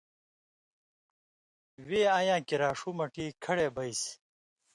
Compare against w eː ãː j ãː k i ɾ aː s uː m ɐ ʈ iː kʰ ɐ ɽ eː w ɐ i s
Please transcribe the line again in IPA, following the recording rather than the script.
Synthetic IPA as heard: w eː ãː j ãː k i ɾ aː ʂ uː m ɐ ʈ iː kʰ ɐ ɽ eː b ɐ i s